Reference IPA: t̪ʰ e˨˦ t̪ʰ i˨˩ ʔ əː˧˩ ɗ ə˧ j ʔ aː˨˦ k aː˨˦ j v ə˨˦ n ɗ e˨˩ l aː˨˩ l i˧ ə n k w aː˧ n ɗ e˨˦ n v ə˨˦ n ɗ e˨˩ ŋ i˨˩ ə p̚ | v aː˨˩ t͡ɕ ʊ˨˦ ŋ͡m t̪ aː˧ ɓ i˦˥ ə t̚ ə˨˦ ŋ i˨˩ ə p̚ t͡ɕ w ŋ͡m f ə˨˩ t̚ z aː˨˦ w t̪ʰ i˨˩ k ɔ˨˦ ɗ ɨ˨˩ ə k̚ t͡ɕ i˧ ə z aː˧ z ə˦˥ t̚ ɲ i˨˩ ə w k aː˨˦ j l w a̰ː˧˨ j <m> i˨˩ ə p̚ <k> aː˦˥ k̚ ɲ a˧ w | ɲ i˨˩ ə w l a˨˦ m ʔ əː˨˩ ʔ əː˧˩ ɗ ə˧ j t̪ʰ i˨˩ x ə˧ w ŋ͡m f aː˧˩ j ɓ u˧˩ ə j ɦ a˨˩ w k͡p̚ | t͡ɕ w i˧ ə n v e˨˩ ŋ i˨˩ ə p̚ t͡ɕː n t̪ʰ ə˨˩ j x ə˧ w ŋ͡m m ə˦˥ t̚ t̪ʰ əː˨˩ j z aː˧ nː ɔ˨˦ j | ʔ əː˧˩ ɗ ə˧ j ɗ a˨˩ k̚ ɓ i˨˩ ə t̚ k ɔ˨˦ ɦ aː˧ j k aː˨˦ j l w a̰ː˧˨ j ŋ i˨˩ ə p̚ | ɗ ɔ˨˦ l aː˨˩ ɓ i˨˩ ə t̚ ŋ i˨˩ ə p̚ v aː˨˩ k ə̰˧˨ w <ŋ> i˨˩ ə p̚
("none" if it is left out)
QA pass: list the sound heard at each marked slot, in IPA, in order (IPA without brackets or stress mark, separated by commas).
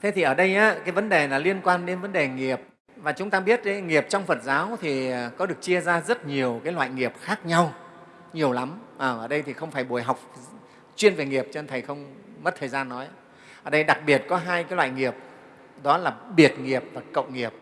ŋ, x, ŋ